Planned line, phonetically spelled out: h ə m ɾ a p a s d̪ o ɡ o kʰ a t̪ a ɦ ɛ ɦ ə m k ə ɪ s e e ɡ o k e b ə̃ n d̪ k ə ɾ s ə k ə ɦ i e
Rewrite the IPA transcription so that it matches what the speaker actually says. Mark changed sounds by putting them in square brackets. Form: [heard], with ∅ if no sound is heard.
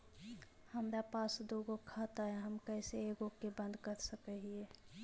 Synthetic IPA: h ə m ɾ a p a s d̪ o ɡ o kʰ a t̪ a ɦ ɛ ɦ ə m k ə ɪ s e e ɡ o k e b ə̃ n d̪ k ə ɾ s ə k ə ɦ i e

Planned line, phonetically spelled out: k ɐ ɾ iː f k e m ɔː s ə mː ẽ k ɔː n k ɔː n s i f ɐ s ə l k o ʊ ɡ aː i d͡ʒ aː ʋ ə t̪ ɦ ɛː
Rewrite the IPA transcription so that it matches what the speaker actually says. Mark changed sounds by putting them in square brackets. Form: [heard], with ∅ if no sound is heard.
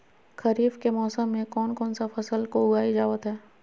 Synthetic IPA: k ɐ ɾ iː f k e m ɔː s ə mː ẽ k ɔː n k ɔː n s [a] f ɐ s ə l k o ʊ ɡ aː i d͡ʒ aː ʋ ə t̪ ɦ ɛː

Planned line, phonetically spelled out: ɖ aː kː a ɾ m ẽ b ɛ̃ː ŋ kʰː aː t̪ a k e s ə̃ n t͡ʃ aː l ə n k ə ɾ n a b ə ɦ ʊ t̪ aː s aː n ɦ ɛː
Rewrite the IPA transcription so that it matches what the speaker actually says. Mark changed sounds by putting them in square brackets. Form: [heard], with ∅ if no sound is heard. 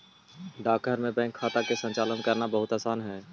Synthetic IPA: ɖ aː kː [ə] ɾ m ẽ b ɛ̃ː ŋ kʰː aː t̪ a k e s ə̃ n t͡ʃ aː l ə n k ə ɾ n a b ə ɦ ʊ t̪ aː s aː n ɦ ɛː

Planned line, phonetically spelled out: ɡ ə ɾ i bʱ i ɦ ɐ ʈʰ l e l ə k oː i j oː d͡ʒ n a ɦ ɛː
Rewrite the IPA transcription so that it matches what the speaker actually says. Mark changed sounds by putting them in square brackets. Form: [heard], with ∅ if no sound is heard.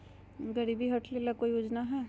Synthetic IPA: ɡ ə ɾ i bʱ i ɦ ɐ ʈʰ l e l [a] k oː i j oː d͡ʒ n a ɦ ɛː

